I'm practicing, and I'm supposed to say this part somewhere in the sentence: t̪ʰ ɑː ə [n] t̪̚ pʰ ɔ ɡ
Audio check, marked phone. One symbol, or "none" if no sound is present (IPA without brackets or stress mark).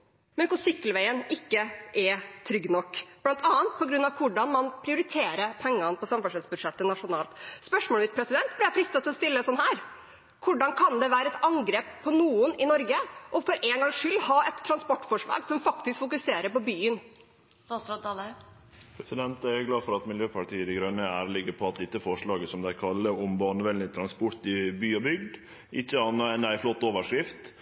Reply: n